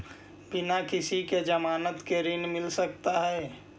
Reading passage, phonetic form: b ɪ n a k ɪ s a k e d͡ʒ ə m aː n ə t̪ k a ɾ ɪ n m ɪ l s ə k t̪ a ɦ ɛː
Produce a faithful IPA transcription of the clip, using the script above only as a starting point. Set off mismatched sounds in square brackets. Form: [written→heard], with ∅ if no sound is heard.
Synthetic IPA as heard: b ɪ n a k ɪ s [a→i] k e d͡ʒ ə m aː n ə t̪ k [a→e] ɾ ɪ n m ɪ l s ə k t̪ a ɦ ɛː